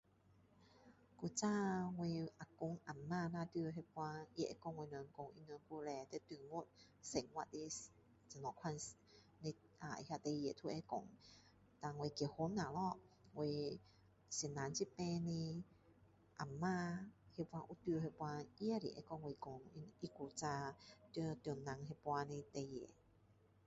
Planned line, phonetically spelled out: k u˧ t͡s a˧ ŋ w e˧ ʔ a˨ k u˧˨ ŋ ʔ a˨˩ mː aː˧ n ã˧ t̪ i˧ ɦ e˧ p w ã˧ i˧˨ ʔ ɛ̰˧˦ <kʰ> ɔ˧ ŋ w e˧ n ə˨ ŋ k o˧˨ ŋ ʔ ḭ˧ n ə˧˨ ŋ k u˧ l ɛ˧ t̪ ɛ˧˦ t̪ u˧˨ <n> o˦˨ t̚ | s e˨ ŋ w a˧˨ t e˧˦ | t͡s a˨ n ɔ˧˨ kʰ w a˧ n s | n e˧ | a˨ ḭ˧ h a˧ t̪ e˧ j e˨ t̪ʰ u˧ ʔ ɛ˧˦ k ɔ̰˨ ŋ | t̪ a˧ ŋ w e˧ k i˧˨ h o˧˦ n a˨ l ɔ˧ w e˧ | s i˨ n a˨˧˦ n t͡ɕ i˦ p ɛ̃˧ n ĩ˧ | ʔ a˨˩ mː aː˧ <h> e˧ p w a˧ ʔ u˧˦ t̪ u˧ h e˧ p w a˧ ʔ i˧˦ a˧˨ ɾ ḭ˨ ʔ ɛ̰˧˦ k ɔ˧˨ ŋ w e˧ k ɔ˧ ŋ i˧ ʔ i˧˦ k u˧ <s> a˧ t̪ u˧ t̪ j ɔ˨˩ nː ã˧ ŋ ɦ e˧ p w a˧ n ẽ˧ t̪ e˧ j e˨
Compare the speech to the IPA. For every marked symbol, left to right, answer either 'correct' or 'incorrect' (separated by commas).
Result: incorrect, incorrect, correct, incorrect